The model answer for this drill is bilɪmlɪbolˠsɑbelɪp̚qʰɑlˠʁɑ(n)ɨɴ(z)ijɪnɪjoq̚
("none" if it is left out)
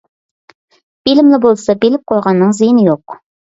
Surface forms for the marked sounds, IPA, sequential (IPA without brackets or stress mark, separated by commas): nː, z